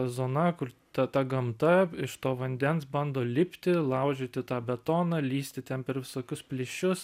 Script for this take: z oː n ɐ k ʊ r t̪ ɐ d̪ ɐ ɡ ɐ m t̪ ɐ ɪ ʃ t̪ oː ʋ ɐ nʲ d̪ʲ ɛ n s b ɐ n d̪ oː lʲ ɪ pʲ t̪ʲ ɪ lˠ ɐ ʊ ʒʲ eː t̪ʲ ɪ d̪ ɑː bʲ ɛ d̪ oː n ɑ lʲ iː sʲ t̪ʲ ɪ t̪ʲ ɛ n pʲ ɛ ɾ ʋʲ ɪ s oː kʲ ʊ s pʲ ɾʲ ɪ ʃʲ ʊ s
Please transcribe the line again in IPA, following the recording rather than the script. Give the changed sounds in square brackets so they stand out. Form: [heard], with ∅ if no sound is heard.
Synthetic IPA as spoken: z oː n ɐ k ʊ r t̪ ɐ [t̪] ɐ ɡ ɐ m t̪ ɐ ɪ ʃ t̪ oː ʋ ɐ nʲ d̪ʲ ɛ n s b ɐ n d̪ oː lʲ ɪ pʲ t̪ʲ ɪ lˠ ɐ ʊ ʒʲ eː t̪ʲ ɪ [t̪] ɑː bʲ ɛ [t̪] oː n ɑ lʲ iː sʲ t̪ʲ ɪ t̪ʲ ɛ n pʲ ɛ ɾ ʋʲ ɪ s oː kʲ ʊ s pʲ [lʲ] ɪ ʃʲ ʊ s